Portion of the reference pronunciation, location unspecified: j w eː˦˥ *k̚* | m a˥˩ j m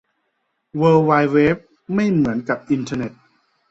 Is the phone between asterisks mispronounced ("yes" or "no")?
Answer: yes